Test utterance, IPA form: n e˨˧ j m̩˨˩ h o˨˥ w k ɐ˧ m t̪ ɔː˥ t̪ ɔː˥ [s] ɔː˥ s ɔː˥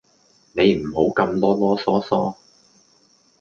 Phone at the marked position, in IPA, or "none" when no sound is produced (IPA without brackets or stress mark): s